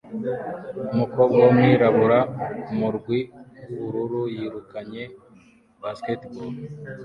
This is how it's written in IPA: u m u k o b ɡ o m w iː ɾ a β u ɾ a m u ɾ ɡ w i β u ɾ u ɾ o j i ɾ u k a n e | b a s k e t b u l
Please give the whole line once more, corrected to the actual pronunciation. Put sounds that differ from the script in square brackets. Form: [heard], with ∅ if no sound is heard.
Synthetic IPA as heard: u m u k o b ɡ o m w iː ɾ a β u ɾ a m u ɾ ɡ w i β u ɾ u ɾ [u] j i ɾ u k a [ɲ] e | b a s k e t b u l